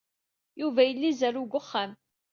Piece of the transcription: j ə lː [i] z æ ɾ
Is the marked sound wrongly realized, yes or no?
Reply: no